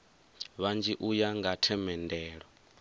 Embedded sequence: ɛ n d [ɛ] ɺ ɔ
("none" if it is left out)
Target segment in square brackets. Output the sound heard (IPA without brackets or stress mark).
ɛː